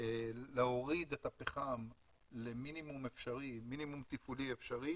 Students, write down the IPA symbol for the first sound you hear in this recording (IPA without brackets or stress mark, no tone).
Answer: l